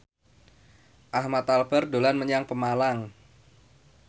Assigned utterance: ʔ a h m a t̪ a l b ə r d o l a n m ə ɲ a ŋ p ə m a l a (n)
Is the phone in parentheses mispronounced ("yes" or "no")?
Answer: yes